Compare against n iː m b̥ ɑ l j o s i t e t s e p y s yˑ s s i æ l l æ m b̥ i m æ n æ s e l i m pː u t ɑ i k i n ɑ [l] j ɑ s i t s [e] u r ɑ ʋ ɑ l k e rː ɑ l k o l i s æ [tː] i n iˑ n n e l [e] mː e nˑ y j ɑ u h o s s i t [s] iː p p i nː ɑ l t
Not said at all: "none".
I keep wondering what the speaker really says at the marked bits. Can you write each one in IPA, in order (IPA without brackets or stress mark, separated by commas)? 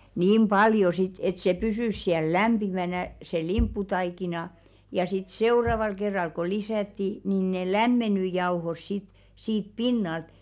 none, e, tː, æ, s